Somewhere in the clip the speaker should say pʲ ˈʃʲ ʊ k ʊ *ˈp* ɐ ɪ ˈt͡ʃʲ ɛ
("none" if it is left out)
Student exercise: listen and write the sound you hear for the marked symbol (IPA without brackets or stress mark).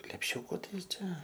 t